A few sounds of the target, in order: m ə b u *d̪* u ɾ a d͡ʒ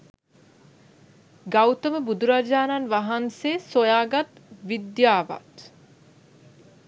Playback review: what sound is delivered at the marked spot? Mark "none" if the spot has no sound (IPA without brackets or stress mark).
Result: d̪